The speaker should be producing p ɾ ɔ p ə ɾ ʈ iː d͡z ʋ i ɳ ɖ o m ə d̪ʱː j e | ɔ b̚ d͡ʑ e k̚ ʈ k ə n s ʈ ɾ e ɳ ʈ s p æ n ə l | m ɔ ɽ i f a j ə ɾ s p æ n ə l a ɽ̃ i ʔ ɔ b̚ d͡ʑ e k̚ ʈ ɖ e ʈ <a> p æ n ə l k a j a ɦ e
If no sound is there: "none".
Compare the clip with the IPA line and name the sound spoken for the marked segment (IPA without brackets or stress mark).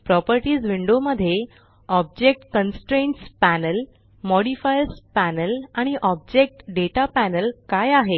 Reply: a